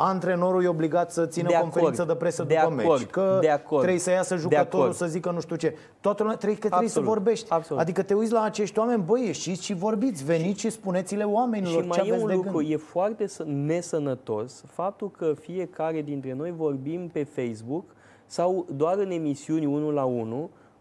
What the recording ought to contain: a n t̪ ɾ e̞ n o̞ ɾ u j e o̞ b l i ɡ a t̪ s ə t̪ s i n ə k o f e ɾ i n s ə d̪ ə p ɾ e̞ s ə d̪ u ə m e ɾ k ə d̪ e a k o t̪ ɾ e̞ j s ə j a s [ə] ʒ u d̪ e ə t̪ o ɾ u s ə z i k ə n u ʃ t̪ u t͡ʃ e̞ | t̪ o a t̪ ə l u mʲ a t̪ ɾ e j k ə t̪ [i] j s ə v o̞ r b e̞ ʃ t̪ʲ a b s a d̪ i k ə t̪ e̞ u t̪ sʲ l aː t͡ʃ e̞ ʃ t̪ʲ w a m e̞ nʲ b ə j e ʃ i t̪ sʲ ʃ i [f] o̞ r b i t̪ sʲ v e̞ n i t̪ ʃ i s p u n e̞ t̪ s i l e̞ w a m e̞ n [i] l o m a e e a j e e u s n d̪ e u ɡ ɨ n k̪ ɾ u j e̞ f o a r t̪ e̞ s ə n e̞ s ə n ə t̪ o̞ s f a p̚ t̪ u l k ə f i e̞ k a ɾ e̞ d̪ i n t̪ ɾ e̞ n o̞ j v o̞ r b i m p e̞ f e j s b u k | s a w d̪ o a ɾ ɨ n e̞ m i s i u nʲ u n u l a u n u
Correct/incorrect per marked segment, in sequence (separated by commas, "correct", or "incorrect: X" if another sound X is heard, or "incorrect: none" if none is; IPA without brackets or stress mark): correct, incorrect: e, incorrect: v, correct